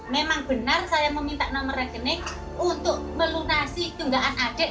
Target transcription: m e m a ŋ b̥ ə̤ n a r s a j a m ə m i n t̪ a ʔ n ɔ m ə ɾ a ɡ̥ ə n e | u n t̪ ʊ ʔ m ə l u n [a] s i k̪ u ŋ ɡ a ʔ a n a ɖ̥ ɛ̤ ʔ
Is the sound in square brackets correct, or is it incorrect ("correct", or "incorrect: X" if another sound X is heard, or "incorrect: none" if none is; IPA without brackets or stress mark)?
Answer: correct